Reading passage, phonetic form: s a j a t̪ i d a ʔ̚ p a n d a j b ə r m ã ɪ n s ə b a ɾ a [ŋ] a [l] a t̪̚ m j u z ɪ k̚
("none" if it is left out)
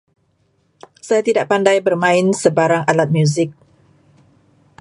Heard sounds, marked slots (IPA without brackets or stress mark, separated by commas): ŋ, l